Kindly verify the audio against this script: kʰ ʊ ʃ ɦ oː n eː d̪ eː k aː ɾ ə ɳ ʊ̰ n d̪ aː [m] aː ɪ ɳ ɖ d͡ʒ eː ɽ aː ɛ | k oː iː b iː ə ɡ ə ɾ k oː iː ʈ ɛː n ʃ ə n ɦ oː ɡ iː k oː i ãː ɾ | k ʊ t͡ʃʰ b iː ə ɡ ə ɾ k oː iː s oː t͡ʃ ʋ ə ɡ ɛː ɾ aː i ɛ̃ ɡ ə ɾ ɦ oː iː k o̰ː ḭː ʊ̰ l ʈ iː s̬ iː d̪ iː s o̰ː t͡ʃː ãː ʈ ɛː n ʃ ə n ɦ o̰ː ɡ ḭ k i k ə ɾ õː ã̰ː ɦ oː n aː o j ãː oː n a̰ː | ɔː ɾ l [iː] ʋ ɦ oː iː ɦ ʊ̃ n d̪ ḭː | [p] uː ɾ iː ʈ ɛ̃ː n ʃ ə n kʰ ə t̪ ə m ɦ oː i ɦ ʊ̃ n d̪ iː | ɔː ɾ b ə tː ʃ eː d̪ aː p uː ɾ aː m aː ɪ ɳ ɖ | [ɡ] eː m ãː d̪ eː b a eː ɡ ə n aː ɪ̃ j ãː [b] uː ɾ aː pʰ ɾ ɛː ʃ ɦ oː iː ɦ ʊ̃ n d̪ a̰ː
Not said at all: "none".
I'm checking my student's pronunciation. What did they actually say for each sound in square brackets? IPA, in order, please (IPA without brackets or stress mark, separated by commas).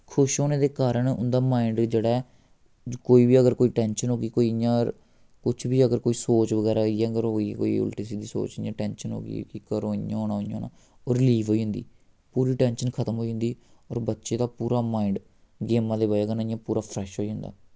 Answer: m, iː, p, ɡ, p